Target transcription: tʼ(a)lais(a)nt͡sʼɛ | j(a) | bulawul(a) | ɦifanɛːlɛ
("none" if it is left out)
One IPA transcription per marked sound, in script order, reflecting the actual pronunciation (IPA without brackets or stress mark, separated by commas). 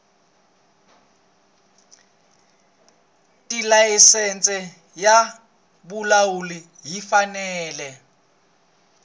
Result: i, ɛ, a, i